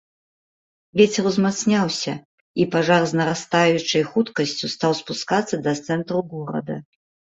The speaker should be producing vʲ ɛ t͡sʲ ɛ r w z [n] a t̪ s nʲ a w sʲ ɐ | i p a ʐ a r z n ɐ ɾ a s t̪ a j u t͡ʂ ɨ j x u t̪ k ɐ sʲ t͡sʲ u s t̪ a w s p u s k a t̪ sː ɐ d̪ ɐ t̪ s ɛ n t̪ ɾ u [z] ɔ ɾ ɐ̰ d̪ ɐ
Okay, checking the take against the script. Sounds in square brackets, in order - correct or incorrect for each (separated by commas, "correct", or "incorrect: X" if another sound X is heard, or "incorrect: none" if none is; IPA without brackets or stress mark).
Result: incorrect: m, incorrect: ɣ